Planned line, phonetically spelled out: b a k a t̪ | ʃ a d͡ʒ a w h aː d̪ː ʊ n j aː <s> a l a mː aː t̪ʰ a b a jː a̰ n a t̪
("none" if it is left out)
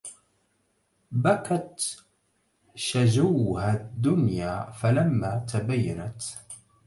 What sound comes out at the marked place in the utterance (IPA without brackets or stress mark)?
f